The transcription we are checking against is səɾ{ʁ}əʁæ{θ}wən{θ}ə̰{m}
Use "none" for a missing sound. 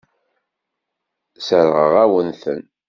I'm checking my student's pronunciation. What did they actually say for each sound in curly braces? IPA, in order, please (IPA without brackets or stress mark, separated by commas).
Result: ʁ, none, θ, n